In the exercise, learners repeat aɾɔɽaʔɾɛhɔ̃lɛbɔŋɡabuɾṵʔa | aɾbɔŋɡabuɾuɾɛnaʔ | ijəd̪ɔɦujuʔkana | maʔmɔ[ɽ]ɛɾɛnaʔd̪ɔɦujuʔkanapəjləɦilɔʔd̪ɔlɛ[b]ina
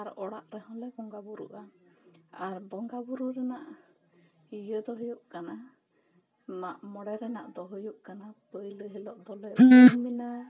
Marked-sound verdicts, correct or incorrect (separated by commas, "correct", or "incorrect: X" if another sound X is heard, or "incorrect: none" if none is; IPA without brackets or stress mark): correct, incorrect: m